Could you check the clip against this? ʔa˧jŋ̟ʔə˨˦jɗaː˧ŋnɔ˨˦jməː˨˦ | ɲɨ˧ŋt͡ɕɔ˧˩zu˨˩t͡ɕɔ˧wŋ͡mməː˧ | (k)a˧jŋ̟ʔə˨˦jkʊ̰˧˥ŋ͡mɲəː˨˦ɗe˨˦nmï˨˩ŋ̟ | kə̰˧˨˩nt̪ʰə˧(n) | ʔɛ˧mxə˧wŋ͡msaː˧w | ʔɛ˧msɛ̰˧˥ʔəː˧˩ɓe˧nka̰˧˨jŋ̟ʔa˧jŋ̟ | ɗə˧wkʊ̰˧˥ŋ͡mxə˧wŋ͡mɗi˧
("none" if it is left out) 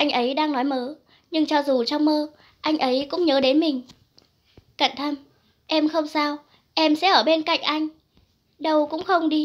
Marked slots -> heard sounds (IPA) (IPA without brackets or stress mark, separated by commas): ʔ, m